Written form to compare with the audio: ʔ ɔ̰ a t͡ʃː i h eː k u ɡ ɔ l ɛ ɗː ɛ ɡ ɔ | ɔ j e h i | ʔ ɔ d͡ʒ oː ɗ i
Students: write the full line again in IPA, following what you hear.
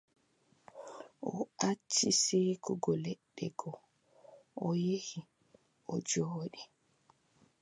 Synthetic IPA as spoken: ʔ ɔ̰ a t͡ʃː i s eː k u ɡ ɔ l ɛ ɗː ɛ ɡ ɔ | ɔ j e h i | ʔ ɔ d͡ʒ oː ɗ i